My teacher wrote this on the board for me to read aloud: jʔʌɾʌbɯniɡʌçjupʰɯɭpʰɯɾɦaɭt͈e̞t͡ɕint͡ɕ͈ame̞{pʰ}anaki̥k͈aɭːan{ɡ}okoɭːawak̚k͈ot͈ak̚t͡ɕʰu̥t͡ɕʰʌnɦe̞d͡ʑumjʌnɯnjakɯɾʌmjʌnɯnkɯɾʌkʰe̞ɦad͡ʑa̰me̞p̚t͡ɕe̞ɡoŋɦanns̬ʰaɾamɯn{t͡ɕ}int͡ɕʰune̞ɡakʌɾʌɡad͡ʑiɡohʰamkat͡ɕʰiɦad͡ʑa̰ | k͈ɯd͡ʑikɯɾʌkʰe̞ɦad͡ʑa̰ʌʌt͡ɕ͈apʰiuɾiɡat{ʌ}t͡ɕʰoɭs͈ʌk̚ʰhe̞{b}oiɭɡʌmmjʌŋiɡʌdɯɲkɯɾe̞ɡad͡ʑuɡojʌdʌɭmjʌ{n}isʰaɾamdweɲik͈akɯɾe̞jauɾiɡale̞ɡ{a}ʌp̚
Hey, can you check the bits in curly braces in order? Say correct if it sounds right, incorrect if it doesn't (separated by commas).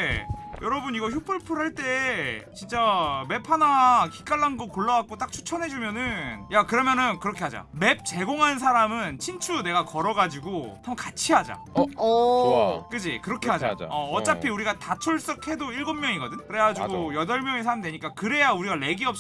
correct, correct, incorrect, incorrect, incorrect, incorrect, incorrect